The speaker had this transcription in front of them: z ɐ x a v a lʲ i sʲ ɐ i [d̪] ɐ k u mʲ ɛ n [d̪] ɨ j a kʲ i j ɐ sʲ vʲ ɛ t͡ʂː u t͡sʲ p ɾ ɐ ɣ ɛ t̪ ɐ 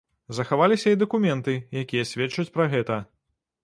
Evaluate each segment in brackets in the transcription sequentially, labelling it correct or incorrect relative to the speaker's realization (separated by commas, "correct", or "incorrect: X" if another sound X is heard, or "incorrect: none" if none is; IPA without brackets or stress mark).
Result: correct, incorrect: t̪